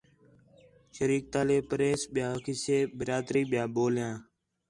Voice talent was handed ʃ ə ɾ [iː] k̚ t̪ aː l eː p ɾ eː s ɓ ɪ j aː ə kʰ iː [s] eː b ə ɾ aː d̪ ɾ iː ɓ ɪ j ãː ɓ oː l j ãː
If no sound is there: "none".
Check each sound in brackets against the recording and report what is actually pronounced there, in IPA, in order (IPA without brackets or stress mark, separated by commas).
iː, s